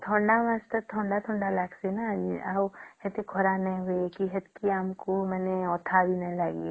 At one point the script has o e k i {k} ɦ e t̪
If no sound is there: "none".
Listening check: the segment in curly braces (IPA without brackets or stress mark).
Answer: none